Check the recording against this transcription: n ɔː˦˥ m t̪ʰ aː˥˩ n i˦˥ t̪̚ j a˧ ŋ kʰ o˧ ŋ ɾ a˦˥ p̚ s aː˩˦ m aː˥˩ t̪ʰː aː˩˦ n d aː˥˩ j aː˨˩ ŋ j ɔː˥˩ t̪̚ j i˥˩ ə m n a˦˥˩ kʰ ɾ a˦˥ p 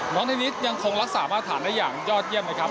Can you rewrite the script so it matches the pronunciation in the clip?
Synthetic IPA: n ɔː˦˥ ŋ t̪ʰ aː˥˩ n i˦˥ t̪̚ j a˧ ŋ kʰ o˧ ŋ ɾ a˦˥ k̚ s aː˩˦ m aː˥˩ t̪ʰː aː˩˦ n d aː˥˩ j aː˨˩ ŋ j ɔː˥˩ t̪̚ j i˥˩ ə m n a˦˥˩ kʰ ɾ a˦˥ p